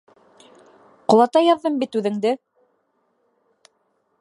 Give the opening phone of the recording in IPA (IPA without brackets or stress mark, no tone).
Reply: q